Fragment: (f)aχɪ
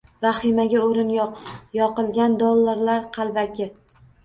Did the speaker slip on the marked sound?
yes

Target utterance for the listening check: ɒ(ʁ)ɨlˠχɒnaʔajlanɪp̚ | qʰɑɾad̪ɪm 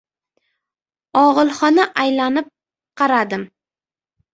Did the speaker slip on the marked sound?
no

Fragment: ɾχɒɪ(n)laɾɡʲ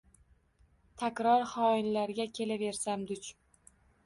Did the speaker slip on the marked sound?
no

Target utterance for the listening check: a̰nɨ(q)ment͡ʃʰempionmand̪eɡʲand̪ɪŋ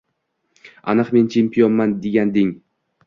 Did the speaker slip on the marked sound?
no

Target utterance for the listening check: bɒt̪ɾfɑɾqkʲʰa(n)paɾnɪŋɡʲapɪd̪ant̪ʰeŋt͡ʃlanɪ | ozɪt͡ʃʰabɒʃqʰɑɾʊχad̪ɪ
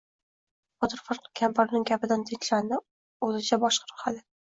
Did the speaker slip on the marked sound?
yes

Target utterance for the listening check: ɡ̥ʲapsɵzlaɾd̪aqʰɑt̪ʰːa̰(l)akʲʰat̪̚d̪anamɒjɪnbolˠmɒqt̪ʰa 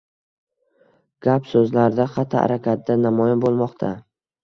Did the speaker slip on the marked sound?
yes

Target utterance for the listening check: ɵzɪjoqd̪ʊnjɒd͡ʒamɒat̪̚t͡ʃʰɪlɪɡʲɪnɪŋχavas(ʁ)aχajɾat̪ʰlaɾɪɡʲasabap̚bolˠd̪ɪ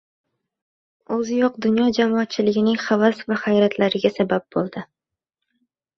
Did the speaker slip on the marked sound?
yes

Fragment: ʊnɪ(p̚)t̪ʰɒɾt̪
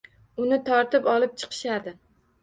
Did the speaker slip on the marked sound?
yes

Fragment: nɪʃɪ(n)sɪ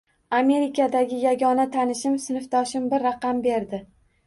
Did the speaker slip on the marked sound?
yes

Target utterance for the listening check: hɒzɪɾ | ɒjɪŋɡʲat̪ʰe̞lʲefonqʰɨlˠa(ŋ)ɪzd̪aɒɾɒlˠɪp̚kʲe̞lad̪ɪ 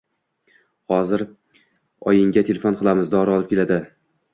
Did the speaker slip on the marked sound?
yes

